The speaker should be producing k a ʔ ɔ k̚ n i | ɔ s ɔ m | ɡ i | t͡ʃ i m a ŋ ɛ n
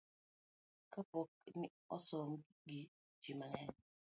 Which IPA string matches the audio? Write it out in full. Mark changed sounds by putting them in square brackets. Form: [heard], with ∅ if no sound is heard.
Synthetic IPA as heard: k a [p] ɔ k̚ n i | ɔ s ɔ m | ɡ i | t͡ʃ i m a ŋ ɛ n